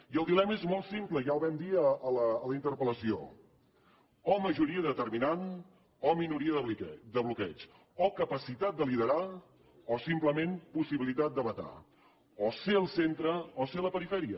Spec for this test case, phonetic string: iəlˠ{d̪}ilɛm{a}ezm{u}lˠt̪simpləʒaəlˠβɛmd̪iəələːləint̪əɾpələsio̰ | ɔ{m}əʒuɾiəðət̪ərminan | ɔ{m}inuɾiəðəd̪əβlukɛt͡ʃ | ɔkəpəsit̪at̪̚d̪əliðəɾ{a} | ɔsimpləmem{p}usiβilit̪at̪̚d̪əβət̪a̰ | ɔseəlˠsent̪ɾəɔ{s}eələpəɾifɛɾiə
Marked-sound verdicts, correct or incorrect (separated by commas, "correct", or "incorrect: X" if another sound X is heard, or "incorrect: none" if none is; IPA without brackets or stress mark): correct, incorrect: ə, incorrect: ɔ, correct, correct, correct, correct, correct